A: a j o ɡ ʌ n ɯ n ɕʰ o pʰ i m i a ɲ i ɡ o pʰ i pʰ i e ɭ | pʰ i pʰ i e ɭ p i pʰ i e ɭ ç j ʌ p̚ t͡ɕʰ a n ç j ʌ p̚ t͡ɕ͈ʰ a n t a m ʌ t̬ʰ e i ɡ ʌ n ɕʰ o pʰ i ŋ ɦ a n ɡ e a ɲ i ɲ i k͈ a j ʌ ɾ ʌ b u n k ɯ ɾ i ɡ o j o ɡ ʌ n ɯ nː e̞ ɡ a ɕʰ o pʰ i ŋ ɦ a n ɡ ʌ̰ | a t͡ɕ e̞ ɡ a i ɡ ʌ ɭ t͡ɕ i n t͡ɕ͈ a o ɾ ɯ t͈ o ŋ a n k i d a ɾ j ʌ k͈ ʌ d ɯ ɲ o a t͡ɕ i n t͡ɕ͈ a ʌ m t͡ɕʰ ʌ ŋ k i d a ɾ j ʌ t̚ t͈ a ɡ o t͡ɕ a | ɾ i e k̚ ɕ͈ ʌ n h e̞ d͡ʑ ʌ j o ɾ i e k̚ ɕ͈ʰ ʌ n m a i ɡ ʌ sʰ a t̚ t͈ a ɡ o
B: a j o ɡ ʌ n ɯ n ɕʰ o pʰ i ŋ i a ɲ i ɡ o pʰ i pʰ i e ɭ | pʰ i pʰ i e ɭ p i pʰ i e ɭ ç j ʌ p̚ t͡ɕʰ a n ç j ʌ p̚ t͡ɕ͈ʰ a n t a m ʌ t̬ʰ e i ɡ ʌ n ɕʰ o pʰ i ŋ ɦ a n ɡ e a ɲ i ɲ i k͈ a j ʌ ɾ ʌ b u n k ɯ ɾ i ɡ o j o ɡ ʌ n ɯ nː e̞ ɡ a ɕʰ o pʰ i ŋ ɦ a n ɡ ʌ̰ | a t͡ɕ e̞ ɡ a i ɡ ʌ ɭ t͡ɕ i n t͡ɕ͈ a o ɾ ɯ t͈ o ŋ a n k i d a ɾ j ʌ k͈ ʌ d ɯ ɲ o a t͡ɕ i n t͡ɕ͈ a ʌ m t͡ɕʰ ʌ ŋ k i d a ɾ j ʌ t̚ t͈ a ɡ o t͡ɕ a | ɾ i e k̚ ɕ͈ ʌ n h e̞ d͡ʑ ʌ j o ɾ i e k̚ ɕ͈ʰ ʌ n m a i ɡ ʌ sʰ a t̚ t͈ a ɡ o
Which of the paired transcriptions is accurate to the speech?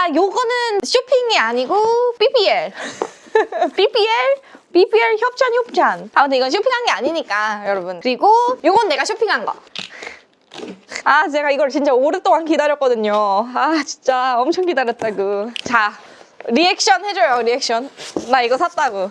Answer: B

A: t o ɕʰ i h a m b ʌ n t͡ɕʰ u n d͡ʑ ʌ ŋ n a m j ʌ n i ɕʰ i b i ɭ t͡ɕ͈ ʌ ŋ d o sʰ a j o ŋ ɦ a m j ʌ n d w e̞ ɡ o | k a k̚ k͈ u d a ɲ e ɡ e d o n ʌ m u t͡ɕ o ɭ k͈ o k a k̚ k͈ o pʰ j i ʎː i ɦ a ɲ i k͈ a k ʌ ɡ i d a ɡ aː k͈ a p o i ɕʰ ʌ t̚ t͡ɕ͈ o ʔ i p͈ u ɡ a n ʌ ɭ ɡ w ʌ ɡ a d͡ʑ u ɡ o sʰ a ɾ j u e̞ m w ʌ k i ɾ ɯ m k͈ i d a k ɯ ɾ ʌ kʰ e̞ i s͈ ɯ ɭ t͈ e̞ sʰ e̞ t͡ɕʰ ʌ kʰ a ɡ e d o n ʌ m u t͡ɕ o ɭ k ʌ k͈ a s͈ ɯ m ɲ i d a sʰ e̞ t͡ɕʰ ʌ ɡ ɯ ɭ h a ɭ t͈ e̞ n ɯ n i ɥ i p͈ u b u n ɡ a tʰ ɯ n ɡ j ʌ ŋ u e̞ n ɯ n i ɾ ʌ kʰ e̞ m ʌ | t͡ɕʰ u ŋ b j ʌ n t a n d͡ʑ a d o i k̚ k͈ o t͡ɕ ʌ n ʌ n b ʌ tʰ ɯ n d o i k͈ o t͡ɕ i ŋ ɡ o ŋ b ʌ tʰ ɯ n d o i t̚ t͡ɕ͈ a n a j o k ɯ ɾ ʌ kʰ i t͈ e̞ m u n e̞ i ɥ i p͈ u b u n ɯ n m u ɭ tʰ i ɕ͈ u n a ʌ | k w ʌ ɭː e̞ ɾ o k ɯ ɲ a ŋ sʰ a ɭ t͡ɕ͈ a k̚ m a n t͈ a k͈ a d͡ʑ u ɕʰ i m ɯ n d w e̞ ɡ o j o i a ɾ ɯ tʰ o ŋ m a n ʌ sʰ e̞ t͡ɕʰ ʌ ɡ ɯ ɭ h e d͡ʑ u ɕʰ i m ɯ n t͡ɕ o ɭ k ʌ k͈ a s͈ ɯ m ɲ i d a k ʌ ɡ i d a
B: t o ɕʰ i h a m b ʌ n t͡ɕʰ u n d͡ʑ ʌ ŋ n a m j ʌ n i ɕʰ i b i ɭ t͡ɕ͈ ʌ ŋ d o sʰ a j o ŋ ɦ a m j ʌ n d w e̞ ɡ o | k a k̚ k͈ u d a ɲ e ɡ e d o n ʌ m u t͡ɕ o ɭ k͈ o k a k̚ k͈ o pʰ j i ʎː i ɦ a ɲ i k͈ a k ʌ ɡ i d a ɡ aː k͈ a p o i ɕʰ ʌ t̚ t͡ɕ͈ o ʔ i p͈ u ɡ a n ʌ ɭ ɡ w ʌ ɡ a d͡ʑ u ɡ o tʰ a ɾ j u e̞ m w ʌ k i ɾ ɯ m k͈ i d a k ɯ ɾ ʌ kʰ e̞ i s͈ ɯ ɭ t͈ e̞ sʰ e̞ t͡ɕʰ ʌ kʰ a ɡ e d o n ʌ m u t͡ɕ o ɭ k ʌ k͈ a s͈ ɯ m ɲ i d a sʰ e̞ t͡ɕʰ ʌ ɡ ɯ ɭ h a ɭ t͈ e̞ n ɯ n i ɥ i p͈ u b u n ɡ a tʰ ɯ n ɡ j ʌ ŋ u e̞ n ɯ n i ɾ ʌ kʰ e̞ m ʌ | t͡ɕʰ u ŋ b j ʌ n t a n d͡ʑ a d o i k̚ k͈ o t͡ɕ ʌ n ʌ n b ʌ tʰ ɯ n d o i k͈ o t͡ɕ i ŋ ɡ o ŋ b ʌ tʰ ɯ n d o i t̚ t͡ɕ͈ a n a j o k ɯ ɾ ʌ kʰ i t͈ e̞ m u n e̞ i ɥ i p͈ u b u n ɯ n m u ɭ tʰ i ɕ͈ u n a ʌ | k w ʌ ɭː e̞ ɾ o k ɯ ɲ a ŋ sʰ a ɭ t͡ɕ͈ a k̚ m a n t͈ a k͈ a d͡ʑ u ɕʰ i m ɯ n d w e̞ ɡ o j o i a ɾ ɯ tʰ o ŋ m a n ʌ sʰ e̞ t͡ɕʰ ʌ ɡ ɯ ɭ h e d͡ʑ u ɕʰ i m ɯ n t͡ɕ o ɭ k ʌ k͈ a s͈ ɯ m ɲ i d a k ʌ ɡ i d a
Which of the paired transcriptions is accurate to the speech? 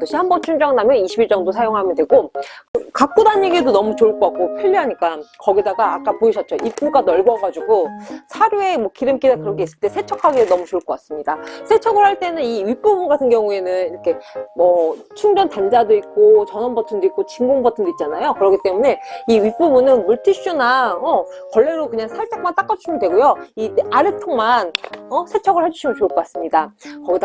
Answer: A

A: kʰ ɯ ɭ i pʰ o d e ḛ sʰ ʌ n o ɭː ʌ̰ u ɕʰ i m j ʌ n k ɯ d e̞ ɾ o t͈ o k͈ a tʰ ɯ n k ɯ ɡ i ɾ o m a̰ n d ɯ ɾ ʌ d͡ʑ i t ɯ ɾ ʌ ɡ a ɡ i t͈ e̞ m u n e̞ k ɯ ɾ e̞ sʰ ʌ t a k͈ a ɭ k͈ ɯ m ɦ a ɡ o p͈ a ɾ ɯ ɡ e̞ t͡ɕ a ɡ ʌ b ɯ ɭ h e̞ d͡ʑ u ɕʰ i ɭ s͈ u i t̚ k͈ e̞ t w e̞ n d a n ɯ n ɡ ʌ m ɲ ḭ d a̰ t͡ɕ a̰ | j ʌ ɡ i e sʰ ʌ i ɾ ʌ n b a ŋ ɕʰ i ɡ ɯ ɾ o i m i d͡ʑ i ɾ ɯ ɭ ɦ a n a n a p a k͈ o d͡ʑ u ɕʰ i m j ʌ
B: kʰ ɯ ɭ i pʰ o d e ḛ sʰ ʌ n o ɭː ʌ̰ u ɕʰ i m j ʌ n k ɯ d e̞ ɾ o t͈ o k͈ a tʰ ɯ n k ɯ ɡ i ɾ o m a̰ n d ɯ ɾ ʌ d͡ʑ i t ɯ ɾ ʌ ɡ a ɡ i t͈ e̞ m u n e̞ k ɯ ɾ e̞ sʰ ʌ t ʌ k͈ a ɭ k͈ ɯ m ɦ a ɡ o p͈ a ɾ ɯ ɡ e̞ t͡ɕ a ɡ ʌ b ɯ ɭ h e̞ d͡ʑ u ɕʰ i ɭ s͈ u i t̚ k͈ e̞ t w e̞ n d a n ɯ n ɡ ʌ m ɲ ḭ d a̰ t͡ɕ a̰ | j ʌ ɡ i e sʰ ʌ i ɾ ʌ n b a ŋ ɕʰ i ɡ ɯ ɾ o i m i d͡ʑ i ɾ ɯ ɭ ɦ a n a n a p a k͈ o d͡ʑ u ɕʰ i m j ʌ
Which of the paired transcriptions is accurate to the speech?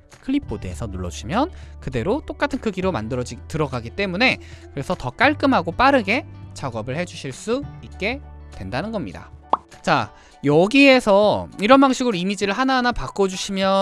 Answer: B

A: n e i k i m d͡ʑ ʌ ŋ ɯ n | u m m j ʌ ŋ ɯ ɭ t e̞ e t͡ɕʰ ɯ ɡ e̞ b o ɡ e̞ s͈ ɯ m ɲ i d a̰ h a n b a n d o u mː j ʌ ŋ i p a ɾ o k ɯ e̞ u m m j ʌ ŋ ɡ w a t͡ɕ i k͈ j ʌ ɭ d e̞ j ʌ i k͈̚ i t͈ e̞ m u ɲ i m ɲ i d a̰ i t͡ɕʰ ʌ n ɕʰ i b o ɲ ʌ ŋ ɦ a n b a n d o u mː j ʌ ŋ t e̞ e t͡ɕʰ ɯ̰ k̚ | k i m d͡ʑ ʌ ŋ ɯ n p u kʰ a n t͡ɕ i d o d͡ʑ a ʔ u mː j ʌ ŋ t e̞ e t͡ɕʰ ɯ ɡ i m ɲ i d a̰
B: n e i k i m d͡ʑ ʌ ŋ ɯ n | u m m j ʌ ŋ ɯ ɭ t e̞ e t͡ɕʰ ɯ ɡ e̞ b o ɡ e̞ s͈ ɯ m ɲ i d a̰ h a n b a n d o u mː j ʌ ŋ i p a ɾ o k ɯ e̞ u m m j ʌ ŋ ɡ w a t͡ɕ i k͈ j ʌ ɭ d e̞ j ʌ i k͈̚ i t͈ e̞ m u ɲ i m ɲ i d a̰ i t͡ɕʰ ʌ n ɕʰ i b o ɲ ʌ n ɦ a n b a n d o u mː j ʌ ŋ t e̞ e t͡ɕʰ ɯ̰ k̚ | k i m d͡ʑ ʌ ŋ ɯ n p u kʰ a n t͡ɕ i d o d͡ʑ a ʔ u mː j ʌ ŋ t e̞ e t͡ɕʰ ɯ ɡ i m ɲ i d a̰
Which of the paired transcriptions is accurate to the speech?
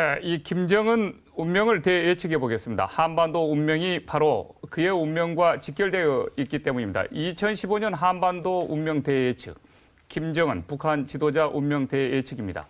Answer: B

